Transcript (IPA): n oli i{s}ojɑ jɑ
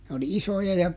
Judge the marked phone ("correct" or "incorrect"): correct